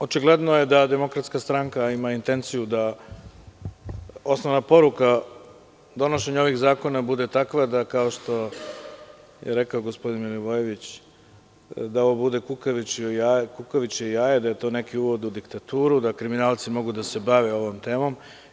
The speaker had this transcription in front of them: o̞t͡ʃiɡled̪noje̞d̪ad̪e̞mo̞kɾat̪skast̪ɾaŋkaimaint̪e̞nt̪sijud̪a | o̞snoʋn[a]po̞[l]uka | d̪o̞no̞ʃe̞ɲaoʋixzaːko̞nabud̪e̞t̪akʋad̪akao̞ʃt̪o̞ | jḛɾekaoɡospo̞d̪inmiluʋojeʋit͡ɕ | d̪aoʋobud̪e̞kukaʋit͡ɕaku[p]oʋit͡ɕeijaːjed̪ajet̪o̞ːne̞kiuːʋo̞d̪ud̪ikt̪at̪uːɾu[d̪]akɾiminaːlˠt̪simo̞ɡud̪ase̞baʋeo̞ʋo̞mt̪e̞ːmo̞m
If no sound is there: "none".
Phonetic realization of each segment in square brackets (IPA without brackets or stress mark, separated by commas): a, ɾ, k, d̪